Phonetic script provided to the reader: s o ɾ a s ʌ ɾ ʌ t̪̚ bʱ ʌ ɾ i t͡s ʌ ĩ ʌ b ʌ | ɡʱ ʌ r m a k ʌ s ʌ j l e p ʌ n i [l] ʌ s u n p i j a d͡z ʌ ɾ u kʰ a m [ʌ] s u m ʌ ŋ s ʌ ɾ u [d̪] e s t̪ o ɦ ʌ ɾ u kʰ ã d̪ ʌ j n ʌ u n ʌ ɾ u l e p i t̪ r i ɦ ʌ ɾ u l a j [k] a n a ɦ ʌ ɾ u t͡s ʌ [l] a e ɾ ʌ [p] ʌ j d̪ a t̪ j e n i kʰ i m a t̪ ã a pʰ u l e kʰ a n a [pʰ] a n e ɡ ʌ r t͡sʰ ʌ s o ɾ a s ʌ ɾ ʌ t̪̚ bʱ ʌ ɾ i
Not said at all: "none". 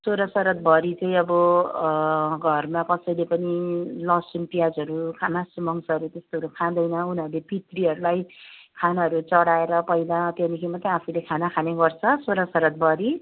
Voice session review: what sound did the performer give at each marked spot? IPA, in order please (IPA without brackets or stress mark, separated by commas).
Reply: l, a, t̪, kʰ, ɽ, p, kʰ